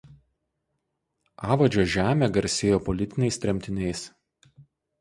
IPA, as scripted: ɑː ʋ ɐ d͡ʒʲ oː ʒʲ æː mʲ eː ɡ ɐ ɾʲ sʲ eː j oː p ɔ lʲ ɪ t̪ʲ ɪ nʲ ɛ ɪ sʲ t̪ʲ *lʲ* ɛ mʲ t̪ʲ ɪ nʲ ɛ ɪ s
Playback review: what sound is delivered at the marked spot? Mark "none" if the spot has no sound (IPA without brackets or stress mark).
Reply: ɾʲ